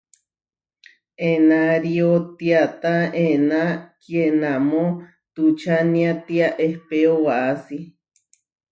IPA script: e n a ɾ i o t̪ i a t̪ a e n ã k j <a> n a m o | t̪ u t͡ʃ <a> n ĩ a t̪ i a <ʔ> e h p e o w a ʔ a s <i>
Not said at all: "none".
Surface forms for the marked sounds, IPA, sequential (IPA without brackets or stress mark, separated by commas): e, a, ʔ, i